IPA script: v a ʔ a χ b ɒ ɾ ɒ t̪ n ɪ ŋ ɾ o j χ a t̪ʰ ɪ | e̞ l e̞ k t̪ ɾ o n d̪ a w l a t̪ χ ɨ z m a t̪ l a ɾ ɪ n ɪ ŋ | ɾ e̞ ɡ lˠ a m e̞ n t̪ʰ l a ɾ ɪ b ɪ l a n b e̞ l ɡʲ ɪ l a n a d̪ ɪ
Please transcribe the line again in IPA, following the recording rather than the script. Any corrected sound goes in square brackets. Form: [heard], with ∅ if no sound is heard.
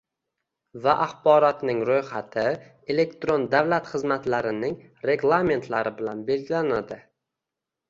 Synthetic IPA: v a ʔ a χ b ɒ ɾ ɒ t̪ n ɪ ŋ ɾ o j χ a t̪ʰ ɪ | e̞ l e̞ k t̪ ɾ o n d̪ a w l a t̪ χ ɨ z m a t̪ l a ɾ ɪ n ɪ ŋ | ɾ e̞ ɡ lˠ a m e̞ n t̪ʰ l a ɾ ɪ b ɪ l a n b e̞ l ɡʲ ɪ l a n a d̪ ɪ